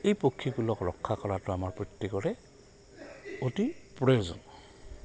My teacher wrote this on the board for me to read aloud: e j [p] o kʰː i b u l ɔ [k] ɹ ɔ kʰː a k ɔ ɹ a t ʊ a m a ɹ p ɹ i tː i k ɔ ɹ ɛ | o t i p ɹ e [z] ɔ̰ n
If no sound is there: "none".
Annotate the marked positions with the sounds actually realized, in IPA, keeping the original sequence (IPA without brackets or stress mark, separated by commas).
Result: p, k, z